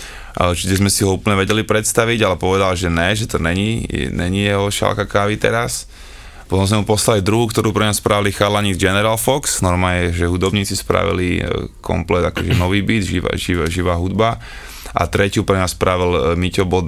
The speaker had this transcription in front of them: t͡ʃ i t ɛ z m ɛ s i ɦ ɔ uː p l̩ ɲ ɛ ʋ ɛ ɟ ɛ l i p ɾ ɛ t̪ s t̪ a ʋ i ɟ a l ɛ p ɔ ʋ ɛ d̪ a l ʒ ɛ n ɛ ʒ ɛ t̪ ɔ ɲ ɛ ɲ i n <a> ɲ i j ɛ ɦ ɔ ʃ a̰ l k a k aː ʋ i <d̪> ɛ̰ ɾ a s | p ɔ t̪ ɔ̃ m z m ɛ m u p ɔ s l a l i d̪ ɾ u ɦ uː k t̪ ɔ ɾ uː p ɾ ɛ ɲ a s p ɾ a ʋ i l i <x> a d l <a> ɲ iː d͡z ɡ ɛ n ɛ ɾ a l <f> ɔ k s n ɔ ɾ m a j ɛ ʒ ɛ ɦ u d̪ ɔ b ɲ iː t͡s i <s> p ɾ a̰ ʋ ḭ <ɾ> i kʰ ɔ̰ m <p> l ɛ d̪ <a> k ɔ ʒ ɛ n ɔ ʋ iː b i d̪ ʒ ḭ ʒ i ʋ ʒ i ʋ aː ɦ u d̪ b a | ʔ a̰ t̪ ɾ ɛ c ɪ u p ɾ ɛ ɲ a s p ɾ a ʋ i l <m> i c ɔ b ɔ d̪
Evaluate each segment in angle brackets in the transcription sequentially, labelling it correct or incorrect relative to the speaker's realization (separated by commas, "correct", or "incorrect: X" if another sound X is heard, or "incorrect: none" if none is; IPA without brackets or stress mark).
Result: incorrect: ɛ, incorrect: t̪, correct, correct, correct, correct, incorrect: l, correct, correct, correct